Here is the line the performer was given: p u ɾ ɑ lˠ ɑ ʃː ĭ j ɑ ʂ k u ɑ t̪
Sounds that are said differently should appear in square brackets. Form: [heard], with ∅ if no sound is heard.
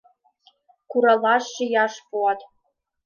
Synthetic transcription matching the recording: [k] u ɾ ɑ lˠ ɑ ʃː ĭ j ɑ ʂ [p] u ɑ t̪